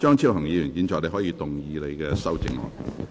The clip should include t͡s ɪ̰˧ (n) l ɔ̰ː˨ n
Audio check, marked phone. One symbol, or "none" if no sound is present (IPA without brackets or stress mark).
ŋ